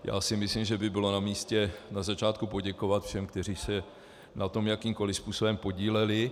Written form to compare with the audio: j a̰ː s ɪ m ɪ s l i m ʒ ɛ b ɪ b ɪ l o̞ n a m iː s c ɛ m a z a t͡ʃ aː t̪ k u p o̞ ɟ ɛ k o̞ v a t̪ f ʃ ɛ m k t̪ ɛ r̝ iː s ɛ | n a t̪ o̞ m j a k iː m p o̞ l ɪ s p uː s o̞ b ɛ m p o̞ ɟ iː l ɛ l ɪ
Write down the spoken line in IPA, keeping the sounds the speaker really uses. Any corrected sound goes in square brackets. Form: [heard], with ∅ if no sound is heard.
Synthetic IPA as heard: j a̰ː s ɪ m ɪ s l i m ʒ ɛ b ɪ b ɪ l o̞ n a m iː s c ɛ [n] a z a t͡ʃ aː t̪ k u p o̞ ɟ ɛ k o̞ v a t̪ f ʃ ɛ m k t̪ ɛ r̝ iː s ɛ | n a t̪ o̞ m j a k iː m [k] o̞ l ɪ s p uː s o̞ b ɛ m p o̞ ɟ iː l ɛ l ɪ

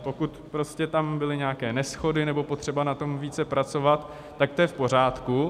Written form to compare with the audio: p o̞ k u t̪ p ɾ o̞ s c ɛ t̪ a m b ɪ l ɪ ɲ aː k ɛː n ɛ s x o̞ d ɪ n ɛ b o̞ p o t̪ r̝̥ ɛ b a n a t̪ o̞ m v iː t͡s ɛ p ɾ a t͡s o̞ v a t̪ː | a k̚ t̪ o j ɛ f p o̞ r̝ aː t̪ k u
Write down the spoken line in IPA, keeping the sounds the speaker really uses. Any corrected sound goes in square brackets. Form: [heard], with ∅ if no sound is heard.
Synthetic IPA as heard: p o̞ k u t̪ p ɾ o̞ s c ɛ t̪ a m b ɪ l ɪ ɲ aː k ɛː n ɛ s x o̞ d ɪ n ɛ b o̞ p o t̪ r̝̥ ɛ b a n a t̪ o̞ m v iː t͡s ɛ p ɾ a t͡s o̞ v a t̪ː | a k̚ t̪ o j ɛ f p o̞ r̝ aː t̪ k u

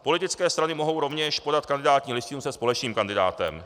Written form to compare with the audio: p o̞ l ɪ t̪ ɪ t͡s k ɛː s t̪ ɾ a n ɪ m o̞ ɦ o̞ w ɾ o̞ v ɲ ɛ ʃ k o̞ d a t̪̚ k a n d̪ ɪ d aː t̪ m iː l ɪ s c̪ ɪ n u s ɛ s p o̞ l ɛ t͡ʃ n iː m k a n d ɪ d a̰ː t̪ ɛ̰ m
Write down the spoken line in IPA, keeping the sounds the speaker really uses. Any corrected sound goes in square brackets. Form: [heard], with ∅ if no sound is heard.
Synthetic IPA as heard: p o̞ l ɪ t̪ ɪ t͡s k ɛː s t̪ ɾ a n ɪ m o̞ ɦ o̞ w ɾ o̞ v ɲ ɛ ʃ [p] o̞ d a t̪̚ k a n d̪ ɪ d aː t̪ [ɲ] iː l ɪ s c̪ ɪ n u s ɛ s p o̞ l ɛ t͡ʃ n iː m k a n d ɪ d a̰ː t̪ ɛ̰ m

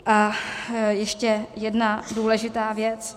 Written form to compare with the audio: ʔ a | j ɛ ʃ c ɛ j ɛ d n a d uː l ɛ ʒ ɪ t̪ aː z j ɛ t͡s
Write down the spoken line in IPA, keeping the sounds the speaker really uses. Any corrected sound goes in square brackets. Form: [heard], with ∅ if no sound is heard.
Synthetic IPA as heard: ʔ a | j ɛ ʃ c ɛ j ɛ d n a d uː l ɛ ʒ ɪ t̪ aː [v] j ɛ t͡s

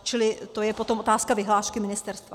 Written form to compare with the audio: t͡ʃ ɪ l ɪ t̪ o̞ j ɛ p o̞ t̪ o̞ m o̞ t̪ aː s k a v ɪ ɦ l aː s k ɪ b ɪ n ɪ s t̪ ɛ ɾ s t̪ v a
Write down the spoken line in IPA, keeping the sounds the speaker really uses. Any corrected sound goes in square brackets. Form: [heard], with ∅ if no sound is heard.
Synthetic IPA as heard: t͡ʃ ɪ l ɪ t̪ o̞ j ɛ p o̞ t̪ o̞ m o̞ t̪ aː s k a v ɪ ɦ l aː [ʃ] k ɪ [m] ɪ n ɪ s t̪ ɛ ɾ s t̪ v a

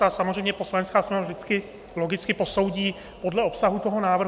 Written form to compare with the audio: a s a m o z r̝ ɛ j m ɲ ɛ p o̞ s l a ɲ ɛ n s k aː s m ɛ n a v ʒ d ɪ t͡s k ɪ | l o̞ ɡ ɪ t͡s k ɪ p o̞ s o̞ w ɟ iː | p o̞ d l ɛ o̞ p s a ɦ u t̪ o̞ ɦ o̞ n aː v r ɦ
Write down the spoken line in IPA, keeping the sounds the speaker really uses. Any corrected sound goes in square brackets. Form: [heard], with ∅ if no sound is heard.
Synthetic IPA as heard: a s a m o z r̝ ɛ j m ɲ ɛ p o̞ s l a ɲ ɛ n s k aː s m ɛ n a v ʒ d ɪ t͡s k ɪ | l o̞ ɡ ɪ t͡s k ɪ p o̞ s o̞ w ɟ iː | p o̞ d l ɛ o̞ p s a ɦ u t̪ o̞ ɦ o̞ n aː v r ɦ

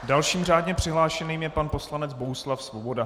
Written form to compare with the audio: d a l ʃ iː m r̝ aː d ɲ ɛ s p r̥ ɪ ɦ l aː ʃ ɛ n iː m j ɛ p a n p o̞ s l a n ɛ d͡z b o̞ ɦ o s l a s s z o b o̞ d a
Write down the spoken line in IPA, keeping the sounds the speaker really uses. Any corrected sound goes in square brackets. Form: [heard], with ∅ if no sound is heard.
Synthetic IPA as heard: d a l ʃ iː m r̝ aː d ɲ ɛ [∅] p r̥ ɪ ɦ l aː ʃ ɛ n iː m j ɛ p a n p o̞ s l a n ɛ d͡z b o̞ ɦ [u] s l a [f] s [v] o b o̞ d a

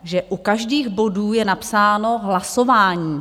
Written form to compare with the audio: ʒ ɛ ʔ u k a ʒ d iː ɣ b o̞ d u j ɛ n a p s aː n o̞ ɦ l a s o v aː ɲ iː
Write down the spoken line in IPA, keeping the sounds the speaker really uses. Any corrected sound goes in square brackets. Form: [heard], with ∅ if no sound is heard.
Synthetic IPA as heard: ʒ ɛ ʔ u k a ʒ d iː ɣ b o̞ d [uː] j ɛ n a p s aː n o̞ ɦ l a s o v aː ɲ iː

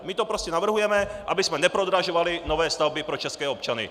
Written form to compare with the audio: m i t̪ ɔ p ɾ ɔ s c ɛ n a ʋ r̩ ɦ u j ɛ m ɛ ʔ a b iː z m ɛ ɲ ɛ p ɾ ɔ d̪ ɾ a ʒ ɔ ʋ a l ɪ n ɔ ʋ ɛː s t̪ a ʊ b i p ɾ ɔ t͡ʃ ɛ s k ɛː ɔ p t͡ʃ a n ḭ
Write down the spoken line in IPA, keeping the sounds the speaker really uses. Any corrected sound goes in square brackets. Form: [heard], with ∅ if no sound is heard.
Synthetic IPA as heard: m i t̪ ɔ p ɾ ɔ s c ɛ n a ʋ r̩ ɦ u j ɛ m ɛ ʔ a b [i] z m ɛ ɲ ɛ p ɾ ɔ d̪ ɾ a ʒ ɔ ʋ a l [i] n ɔ ʋ ɛː s t̪ a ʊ b i p ɾ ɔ t͡ʃ ɛ s k ɛː ɔ p t͡ʃ a n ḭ

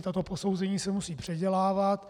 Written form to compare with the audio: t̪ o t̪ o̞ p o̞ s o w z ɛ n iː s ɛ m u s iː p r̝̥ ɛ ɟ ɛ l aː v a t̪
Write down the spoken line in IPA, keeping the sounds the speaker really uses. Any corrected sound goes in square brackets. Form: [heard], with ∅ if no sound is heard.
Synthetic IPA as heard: t̪ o t̪ o̞ p o̞ s o w z ɛ [ɲ] iː s ɛ m u s iː p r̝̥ ɛ ɟ ɛ l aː v a t̪

